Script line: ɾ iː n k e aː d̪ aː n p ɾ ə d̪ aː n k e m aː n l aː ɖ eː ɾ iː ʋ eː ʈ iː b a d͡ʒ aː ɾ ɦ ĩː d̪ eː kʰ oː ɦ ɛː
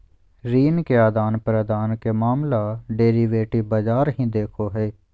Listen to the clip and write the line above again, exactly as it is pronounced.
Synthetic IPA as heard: ɾ iː n k e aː d̪ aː n p ɾ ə d̪ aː n k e m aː m l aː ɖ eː ɾ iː ʋ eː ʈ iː b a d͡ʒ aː ɾ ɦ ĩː d̪ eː kʰ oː ɦ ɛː